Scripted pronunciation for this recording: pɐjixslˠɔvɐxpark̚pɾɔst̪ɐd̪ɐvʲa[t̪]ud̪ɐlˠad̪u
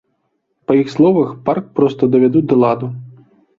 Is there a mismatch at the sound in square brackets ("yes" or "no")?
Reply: yes